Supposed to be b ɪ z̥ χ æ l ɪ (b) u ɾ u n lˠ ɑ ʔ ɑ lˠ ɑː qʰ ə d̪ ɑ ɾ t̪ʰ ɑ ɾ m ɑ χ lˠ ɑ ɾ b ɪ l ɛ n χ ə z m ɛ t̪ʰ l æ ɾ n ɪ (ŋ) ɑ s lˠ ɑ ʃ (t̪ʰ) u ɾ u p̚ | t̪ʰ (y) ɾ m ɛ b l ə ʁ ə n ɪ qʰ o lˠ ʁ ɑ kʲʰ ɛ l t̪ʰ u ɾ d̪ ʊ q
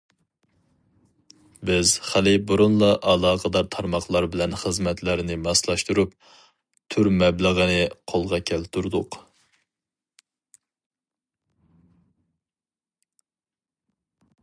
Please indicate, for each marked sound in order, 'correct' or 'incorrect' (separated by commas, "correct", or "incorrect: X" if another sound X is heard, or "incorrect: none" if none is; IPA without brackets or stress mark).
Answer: correct, incorrect: m, incorrect: t̪, correct